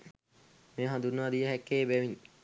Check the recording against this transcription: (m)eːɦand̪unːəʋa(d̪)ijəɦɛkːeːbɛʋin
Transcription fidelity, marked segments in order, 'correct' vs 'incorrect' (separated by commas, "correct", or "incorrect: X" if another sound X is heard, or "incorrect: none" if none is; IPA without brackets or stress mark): correct, correct